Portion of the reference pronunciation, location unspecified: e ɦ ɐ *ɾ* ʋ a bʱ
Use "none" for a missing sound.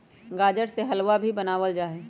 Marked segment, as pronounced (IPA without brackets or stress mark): l